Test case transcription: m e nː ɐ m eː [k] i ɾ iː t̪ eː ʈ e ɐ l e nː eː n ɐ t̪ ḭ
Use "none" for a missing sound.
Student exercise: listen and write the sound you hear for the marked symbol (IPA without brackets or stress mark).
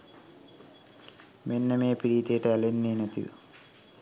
p